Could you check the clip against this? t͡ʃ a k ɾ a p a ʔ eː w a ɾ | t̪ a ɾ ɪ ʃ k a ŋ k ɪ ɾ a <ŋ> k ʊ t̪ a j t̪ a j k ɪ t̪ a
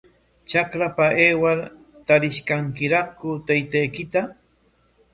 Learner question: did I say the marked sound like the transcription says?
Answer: no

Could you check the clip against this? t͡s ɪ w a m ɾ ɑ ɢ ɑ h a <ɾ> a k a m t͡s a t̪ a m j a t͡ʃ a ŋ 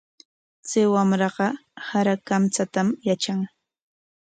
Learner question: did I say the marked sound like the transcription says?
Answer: yes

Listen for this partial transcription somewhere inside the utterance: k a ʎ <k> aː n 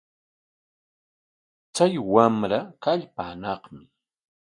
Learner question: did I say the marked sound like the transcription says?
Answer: no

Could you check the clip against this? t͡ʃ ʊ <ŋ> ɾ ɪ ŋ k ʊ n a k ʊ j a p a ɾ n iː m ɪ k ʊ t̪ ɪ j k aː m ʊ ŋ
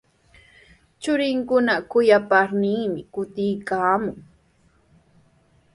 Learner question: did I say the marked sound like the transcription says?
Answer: no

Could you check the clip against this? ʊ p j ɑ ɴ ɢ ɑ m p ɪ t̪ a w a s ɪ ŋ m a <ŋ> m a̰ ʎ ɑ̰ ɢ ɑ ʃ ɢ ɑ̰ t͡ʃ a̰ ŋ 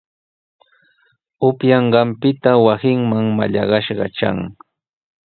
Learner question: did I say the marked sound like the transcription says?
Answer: yes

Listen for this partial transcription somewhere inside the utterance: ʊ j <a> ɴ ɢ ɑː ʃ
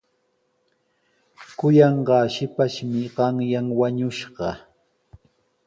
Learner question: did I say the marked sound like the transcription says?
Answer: no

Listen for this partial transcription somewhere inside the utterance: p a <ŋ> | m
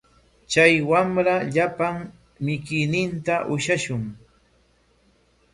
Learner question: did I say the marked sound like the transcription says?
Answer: yes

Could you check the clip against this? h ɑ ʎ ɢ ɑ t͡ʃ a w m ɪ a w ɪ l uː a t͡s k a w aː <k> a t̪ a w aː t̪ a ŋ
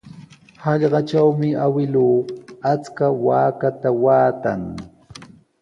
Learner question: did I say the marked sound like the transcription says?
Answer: yes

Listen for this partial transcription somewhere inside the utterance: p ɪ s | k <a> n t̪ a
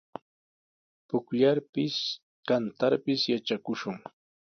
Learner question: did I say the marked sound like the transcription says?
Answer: yes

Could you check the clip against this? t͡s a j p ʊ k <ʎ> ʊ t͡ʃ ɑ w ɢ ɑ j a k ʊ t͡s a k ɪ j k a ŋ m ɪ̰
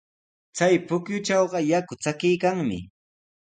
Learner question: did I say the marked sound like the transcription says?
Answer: no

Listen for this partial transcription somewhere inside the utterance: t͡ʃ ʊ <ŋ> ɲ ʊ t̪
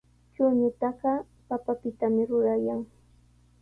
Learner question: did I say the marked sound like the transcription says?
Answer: no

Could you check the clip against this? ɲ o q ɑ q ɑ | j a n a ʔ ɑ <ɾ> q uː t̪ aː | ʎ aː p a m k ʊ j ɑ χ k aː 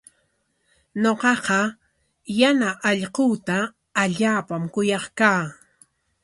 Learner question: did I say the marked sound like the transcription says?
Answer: no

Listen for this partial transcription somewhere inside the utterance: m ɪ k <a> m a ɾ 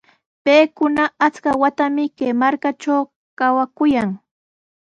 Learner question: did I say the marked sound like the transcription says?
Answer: no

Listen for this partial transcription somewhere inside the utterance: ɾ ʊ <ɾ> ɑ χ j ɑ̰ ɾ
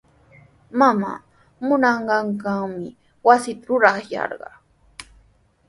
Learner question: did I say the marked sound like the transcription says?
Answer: yes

